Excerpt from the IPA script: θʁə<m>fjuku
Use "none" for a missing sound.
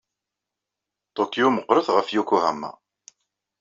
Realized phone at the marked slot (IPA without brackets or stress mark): none